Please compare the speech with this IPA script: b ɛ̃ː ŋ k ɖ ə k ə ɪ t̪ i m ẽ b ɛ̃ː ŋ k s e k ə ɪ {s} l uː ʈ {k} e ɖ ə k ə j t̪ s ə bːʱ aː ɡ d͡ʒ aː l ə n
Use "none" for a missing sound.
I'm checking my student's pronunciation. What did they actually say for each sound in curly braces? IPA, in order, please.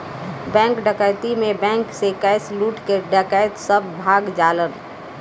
s, k

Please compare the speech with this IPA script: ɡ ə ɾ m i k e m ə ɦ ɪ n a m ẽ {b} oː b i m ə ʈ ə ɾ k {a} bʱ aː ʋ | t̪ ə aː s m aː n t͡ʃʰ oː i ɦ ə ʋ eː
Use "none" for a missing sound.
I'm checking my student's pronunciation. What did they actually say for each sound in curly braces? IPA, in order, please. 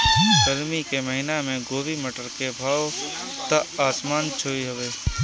ɡ, e

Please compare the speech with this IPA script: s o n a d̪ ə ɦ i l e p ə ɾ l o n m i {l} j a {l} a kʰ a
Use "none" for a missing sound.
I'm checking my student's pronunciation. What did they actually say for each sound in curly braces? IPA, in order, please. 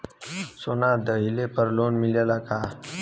l, l

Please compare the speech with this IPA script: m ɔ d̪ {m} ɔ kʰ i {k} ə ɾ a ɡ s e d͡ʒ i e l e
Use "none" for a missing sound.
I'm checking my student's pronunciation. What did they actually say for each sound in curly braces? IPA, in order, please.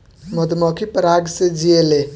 m, p

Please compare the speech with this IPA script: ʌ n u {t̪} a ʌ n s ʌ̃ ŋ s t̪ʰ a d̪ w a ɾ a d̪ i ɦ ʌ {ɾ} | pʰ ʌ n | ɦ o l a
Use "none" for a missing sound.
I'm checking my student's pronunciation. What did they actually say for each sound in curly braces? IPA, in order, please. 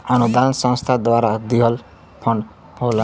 d̪, l

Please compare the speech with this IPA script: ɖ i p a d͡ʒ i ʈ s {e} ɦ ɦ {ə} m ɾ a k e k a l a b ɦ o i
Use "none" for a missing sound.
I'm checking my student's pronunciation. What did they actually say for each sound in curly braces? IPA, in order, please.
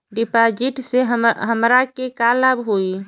e, ə

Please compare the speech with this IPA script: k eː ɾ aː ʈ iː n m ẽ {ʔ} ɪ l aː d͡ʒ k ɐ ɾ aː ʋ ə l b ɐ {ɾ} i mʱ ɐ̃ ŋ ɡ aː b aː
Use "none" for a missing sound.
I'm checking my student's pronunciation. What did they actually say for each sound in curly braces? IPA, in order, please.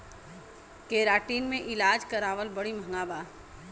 ʔ, ɽ

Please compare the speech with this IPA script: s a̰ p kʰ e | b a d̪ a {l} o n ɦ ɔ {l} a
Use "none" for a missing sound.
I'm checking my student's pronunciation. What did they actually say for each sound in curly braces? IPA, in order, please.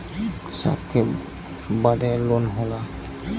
l, l

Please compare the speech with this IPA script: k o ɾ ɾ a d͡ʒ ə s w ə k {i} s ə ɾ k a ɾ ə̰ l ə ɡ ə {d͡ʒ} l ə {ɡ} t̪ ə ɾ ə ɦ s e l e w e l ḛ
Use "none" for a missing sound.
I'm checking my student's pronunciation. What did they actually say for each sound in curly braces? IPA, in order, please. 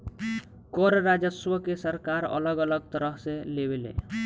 e, none, ɡ

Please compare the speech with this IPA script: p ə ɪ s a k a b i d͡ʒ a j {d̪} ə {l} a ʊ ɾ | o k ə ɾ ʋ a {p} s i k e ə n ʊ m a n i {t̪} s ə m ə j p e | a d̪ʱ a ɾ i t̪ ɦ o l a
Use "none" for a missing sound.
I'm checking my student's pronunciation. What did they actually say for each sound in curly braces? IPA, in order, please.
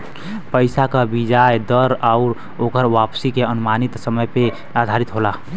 d̪, ɾ, p, t̪

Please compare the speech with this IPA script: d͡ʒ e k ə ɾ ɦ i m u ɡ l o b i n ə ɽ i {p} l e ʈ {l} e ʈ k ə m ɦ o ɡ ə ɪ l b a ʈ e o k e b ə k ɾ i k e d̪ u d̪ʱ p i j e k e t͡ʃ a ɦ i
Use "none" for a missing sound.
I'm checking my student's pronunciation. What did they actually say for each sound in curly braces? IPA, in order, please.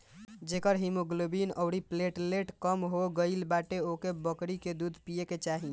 p, l

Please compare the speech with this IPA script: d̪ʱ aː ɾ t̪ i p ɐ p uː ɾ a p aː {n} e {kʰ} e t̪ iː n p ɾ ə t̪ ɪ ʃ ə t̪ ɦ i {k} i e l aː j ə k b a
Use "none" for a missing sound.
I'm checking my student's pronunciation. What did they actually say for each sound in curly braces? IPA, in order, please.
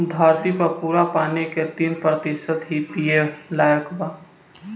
n, k, p

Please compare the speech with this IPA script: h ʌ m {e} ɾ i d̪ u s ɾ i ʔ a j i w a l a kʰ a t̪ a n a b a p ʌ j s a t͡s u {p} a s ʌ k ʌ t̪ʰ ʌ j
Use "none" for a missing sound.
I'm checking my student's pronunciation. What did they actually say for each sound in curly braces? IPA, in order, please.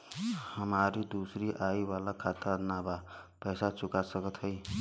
a, k

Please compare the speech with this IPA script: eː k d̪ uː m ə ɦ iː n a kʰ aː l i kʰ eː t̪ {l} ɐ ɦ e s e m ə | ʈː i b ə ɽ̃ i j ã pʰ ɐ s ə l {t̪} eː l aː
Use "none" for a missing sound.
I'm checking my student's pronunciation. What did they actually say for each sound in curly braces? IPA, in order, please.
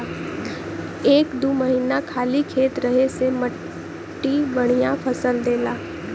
ɾ, d̪

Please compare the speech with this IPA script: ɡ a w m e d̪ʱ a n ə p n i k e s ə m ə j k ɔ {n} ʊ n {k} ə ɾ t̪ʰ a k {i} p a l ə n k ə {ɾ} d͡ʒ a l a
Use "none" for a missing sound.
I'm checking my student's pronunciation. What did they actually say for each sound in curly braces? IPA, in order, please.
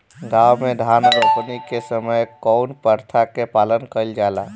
none, p, e, l

